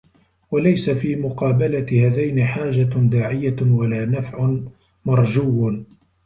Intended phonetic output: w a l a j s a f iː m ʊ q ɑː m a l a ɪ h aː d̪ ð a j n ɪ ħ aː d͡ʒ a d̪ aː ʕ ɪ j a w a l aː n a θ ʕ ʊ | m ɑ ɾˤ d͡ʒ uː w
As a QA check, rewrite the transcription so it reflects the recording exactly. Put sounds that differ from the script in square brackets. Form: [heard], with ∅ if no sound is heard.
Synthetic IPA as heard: w a l a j s a f iː m ʊ q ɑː [b] a l a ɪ h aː [∅] ð a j n ɪ ħ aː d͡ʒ a d̪ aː ʕ ɪ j a w a l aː n a [f] ʕ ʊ | m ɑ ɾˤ d͡ʒ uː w